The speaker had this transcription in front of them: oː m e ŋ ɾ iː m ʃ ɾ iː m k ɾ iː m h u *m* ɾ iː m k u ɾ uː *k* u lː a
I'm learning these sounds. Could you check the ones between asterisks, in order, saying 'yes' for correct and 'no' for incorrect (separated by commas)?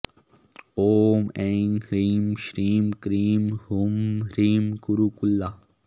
yes, yes